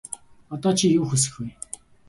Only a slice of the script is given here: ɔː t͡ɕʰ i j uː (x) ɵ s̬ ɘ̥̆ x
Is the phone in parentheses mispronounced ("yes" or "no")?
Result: no